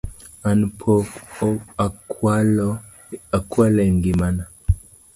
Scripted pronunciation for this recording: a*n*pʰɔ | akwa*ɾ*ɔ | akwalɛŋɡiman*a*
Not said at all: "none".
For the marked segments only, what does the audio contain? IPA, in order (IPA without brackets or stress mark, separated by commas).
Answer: n, l, a